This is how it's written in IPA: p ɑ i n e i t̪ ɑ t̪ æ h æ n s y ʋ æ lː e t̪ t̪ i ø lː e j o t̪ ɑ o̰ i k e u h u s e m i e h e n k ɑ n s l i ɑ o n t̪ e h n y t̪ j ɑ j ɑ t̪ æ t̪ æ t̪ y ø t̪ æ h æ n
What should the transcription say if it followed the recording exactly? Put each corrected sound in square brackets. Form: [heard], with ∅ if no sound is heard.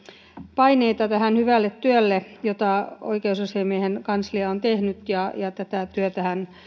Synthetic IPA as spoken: p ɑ i n e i t̪ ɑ t̪ æ h æ n [h] y ʋ æ lː e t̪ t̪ [y] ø lː e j o t̪ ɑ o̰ i k e u [s] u s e m i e h e n k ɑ n s l i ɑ o n t̪ e h n y t̪ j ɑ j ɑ t̪ æ t̪ æ t̪ y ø t̪ æ h æ n